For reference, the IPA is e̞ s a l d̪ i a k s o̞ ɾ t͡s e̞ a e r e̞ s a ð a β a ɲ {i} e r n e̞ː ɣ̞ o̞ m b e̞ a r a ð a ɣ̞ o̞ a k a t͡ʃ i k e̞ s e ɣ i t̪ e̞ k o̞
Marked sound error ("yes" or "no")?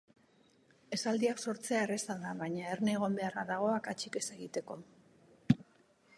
yes